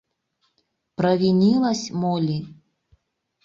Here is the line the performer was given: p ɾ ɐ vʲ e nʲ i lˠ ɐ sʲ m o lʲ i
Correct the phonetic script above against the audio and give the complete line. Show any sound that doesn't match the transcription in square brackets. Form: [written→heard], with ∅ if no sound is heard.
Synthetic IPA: p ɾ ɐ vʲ [e→i] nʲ i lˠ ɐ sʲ m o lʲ i